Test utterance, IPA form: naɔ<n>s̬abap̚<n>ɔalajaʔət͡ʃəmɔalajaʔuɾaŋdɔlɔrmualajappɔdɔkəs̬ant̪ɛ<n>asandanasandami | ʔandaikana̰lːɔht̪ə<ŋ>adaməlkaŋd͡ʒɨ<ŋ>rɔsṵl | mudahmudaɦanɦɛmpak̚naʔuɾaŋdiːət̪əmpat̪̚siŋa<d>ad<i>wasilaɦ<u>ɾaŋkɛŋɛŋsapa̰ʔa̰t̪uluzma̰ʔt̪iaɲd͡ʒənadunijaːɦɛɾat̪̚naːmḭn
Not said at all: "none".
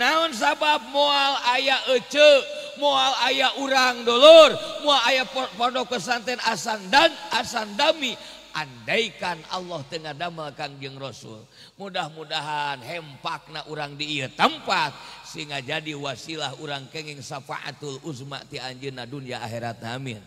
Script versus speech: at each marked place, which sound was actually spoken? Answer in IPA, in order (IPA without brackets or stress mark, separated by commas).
n, m, n, ŋ, ŋ, d͡ʒ, i, u